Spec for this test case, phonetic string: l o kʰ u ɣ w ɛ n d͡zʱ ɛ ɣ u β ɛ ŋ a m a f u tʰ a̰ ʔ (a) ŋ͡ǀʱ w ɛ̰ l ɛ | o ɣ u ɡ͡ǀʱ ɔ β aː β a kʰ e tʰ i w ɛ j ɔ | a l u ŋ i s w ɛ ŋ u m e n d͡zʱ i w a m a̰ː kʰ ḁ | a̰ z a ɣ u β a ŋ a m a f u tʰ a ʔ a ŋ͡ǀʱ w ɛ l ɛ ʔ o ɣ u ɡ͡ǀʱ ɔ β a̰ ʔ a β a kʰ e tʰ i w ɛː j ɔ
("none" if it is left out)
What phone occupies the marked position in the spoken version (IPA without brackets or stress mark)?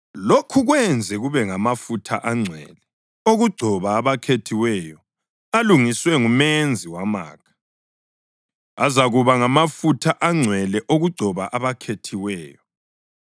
a